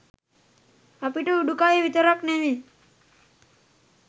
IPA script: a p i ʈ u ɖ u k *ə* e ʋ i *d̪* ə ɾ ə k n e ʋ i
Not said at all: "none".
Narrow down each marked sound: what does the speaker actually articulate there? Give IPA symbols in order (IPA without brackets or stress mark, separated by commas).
a, t̪